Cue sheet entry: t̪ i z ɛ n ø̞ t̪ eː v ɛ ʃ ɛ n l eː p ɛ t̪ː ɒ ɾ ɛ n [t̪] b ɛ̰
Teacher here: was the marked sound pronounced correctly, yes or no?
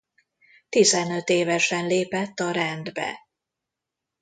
no